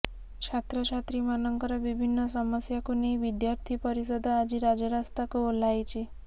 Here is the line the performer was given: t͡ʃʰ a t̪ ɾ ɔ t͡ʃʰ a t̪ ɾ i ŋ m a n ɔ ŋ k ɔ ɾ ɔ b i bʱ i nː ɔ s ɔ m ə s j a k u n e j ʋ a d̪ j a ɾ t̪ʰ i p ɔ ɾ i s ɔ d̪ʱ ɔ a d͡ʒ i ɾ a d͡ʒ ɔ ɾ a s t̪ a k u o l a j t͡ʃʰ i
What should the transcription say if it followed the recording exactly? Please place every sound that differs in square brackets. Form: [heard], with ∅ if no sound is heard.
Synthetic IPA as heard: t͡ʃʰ a t̪ ɾ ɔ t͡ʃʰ a t̪ ɾ i [∅] m a n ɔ ŋ k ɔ ɾ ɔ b i bʱ i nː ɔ s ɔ m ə s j a k u n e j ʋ [i] d̪ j a ɾ t̪ʰ i p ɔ ɾ i s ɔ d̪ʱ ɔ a d͡ʒ i ɾ a d͡ʒ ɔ ɾ a s t̪ a k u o l a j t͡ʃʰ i